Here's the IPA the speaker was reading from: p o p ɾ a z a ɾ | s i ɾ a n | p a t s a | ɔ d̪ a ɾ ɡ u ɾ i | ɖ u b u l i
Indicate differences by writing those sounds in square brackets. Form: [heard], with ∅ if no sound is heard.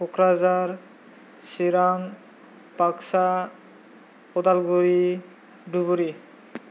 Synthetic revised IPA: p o [k] ɾ a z a ɾ | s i ɾ a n | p a [k] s a | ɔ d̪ a [l] ɡ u ɾ i | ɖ u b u [ɾ] i